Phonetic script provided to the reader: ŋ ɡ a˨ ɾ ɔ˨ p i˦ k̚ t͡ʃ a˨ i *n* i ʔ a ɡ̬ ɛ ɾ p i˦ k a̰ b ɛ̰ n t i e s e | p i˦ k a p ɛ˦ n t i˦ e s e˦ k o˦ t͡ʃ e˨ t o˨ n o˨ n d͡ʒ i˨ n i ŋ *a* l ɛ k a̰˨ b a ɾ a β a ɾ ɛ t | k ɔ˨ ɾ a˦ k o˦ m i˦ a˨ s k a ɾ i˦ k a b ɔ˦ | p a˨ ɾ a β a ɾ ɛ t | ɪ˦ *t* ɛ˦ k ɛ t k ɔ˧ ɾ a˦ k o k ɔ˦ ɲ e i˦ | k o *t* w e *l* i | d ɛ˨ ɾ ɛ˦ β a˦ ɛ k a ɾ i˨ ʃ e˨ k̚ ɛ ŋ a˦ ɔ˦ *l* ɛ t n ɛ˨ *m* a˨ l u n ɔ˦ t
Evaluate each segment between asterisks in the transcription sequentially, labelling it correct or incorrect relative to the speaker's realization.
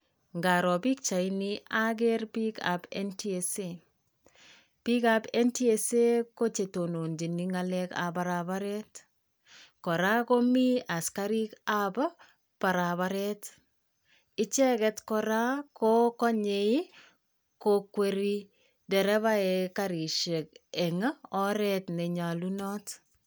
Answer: correct, correct, incorrect: t͡ʃ, incorrect: k, incorrect: ɾ, incorrect: ɾ, incorrect: ɲ

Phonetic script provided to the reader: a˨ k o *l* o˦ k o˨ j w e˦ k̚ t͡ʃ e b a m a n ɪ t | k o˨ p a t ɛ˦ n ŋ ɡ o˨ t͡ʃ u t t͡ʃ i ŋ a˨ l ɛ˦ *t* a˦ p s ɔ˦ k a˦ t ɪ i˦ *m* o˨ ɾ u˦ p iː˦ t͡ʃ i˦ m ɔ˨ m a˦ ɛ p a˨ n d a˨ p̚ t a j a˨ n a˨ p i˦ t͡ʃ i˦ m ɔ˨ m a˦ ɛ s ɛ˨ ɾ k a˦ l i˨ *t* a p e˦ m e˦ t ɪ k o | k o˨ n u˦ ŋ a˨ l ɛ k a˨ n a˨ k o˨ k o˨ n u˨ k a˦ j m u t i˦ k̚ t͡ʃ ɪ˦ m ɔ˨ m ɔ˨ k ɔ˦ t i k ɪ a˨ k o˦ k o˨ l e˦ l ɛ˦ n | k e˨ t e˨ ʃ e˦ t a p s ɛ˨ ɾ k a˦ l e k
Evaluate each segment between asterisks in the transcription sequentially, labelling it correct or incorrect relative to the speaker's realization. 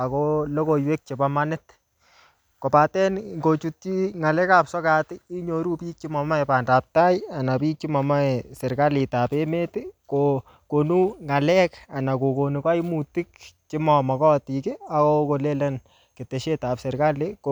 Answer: correct, incorrect: k, incorrect: ɲ, correct

